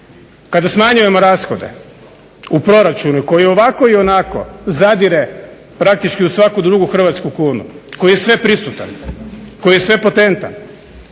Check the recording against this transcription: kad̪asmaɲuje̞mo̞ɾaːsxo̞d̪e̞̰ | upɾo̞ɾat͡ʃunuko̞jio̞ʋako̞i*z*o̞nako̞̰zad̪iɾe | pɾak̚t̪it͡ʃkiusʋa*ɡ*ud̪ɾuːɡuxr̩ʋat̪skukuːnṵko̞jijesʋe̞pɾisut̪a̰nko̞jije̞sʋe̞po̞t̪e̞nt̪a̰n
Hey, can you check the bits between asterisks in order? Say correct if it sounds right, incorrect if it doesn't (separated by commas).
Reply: incorrect, incorrect